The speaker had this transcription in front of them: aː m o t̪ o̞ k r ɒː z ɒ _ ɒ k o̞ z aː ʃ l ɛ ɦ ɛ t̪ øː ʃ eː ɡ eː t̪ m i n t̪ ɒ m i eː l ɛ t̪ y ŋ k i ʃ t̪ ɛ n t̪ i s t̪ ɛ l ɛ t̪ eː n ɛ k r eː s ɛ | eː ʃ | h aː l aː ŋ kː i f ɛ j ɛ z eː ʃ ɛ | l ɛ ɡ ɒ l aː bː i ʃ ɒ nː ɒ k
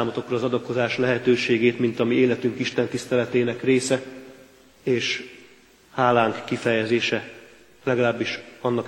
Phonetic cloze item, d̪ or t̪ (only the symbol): d̪